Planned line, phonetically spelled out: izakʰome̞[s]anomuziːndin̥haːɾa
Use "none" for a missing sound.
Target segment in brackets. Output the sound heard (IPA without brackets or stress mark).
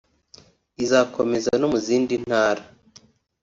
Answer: z